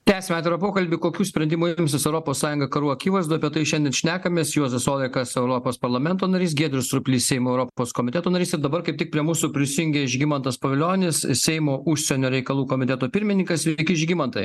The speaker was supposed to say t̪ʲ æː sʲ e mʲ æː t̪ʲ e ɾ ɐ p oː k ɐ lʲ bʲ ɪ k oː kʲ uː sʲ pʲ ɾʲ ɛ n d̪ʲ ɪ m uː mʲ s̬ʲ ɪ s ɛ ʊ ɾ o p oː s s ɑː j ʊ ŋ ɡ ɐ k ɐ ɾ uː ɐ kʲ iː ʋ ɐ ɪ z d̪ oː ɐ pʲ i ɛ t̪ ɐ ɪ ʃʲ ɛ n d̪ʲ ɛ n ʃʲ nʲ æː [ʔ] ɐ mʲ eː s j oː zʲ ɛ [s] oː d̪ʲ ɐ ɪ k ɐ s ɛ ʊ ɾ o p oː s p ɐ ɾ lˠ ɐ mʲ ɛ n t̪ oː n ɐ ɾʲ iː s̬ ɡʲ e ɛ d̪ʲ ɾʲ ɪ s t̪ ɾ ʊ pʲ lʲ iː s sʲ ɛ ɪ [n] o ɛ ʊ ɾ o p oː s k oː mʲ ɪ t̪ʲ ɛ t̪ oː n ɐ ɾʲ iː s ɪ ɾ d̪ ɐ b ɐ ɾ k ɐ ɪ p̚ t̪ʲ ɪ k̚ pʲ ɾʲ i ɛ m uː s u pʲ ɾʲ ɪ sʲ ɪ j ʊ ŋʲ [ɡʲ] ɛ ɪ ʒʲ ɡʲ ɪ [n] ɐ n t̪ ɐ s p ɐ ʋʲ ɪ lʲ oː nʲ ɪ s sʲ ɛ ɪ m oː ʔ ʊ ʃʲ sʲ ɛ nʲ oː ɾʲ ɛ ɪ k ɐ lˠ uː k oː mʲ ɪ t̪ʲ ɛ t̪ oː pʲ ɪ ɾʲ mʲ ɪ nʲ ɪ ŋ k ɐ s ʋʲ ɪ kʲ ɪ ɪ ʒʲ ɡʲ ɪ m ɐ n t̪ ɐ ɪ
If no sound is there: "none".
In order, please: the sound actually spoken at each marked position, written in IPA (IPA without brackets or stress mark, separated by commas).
k, s, m, ɡʲ, m